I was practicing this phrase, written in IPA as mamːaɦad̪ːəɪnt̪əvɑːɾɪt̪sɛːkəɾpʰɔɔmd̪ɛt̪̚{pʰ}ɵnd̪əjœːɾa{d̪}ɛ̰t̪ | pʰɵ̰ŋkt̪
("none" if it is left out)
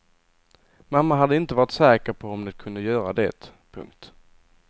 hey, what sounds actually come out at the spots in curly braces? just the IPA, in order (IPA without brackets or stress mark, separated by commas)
kʰ, d̪